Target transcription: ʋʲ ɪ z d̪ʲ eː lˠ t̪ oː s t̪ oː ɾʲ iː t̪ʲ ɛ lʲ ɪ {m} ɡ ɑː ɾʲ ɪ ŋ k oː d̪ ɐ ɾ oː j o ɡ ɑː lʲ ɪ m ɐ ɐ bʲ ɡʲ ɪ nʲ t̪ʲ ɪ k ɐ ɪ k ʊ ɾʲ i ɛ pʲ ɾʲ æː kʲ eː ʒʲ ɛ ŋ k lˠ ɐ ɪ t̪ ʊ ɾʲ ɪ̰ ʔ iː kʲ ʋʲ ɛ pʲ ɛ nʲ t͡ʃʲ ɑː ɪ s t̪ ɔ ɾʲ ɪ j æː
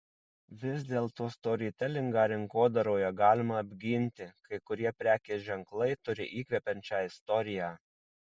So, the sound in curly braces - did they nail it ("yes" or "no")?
no